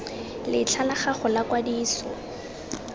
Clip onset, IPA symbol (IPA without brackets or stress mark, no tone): l